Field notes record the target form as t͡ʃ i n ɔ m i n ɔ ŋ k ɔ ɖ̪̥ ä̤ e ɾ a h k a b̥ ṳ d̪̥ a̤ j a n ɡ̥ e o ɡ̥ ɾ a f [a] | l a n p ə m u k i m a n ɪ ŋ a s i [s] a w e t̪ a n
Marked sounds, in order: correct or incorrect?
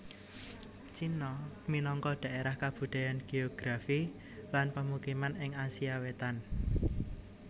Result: incorrect, incorrect

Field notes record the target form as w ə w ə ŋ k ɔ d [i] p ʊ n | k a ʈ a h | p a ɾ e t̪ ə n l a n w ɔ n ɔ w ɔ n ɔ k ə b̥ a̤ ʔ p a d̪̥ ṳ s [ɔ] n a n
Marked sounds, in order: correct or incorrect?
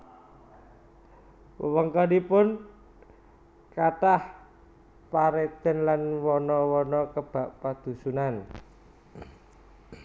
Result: correct, incorrect

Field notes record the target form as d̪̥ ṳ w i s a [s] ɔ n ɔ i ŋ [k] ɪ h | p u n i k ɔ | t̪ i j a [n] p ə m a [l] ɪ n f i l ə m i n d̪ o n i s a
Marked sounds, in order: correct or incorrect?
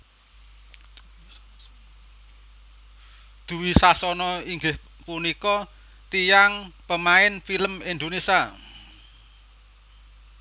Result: correct, incorrect, incorrect, incorrect

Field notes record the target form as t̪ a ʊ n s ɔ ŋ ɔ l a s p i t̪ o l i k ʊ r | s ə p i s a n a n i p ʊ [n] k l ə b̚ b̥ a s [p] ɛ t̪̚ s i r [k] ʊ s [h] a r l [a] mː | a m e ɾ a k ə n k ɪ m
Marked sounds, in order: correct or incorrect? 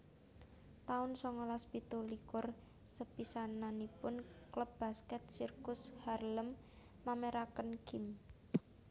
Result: correct, incorrect, correct, correct, incorrect

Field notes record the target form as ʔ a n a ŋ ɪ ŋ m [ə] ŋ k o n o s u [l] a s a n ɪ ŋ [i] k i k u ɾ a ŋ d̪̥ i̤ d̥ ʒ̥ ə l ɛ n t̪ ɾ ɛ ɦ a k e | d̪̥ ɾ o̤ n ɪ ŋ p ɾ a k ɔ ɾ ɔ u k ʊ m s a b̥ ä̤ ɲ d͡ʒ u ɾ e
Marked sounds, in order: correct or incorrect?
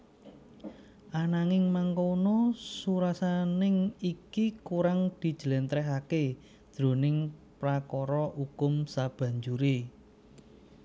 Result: incorrect, incorrect, correct

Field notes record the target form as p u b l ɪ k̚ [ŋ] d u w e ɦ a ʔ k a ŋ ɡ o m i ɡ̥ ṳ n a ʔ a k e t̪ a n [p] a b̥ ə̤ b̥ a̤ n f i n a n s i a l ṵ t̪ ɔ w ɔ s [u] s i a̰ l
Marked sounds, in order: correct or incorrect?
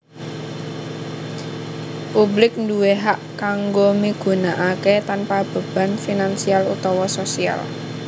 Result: incorrect, correct, incorrect

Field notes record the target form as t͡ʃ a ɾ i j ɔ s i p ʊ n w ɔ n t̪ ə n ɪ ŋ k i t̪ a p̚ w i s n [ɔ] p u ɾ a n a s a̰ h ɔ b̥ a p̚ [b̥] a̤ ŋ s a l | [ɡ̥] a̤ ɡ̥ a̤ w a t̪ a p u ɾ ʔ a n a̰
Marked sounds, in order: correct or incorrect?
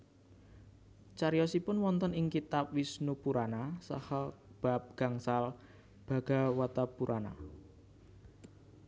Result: incorrect, incorrect, incorrect

